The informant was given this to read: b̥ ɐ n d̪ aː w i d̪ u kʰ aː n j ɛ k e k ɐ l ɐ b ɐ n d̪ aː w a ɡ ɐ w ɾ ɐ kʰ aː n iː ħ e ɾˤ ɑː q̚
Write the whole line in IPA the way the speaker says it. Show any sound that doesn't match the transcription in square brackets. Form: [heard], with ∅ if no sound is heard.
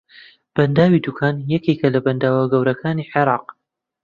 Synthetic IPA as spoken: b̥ ɐ n d̪ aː w i d̪ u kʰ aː n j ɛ k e k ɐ l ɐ b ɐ n d̪ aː w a ɡ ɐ w ɾ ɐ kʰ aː n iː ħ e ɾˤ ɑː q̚